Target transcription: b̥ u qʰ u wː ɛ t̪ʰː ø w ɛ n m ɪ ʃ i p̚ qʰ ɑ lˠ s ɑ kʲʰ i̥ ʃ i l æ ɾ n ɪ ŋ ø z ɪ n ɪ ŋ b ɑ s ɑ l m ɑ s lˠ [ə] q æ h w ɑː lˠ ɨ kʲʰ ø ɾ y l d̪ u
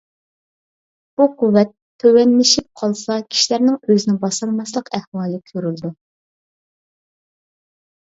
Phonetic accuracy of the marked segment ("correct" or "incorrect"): correct